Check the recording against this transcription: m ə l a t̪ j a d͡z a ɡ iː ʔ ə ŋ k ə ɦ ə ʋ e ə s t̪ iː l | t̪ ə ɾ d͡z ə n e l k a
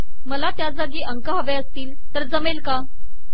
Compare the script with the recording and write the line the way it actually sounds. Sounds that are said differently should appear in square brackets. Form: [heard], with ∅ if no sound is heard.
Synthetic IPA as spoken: m ə l a t̪ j a d͡z a ɡ iː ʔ ə ŋ k ə ɦ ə ʋ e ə s t̪ iː l | t̪ ə ɾ d͡z ə [m] e l k a